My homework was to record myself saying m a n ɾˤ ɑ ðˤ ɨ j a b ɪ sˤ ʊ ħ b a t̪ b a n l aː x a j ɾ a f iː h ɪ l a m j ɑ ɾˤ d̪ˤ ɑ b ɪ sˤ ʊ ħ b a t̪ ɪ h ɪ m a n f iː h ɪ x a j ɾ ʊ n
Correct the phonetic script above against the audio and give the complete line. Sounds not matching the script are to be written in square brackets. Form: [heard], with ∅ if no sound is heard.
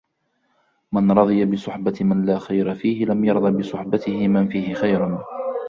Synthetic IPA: m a n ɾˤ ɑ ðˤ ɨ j a b ɪ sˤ ʊ ħ b a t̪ [m] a n l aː x a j ɾ a f iː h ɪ l a m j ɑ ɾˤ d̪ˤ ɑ b ɪ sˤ ʊ ħ b a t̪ ɪ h ɪ m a n f iː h ɪ x a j ɾ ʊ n

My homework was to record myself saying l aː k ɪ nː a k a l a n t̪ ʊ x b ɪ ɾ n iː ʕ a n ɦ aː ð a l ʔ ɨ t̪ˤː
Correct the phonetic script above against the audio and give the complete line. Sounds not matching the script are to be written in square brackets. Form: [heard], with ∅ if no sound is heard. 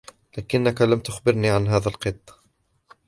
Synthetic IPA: l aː k ɪ nː a k a l a [m] t̪ ʊ x b ɪ ɾ n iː ʕ a n ɦ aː ð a l [q] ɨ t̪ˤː

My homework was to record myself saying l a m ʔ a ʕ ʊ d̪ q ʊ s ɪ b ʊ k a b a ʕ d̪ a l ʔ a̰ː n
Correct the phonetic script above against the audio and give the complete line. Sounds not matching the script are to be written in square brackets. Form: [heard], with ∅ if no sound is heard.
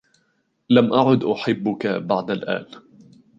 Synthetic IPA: l a m ʔ a ʕ ʊ d̪ [ʔ] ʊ [ħ] ɪ [bː] ʊ k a b a ʕ d̪ a l ʔ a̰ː n

